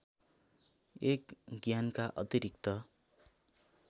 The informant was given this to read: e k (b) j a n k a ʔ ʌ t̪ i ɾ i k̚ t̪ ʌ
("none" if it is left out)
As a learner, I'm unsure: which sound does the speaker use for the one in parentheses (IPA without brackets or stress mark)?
ɡ